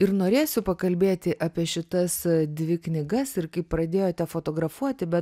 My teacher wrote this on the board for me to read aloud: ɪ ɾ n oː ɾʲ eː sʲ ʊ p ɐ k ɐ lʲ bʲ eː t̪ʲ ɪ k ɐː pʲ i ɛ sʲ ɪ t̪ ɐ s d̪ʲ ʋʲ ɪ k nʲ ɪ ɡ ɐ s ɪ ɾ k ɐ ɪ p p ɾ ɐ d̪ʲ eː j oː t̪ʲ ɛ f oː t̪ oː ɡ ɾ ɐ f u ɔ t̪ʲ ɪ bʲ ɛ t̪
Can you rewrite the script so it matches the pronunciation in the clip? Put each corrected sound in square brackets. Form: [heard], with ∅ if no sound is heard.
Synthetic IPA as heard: ɪ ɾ n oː ɾʲ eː sʲ ʊ p ɐ k ɐ lʲ bʲ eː t̪ʲ ɪ [ʔ] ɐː pʲ i ɛ [ʃʲ] ɪ t̪ ɐ s d̪ʲ ʋʲ ɪ k nʲ ɪ ɡ ɐ s ɪ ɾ k ɐ ɪ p p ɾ ɐ d̪ʲ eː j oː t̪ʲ ɛ f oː t̪ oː ɡ ɾ ɐ f u ɔ t̪ʲ ɪ bʲ ɛ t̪